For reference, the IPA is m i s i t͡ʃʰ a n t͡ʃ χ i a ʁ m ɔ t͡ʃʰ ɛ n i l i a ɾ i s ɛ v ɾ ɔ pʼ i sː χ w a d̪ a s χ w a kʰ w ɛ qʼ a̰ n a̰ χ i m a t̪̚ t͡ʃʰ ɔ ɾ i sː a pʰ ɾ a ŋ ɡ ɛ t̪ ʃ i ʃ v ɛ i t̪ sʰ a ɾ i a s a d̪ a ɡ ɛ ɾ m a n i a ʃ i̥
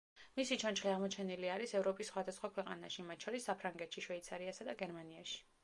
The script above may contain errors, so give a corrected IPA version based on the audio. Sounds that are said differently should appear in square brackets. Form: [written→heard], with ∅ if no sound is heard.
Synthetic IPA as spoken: m i s i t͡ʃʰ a n t͡ʃ χ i a ʁ m ɔ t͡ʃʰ ɛ n i l i a ɾ i s ɛ v ɾ ɔ pʼ i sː χ w a d̪ a s χ w a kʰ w ɛ qʼ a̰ n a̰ [χ→ʃ] i m a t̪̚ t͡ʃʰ ɔ ɾ i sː a pʰ ɾ a ŋ ɡ ɛ t̪ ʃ i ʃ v ɛ i t̪ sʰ a ɾ i a s a d̪ a ɡ ɛ ɾ m a n i a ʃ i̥